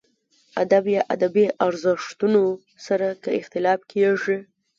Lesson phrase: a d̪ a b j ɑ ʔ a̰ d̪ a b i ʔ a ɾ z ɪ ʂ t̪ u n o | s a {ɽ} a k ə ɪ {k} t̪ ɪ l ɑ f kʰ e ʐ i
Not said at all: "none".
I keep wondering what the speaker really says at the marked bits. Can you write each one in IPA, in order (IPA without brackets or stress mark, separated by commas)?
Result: ɾ, x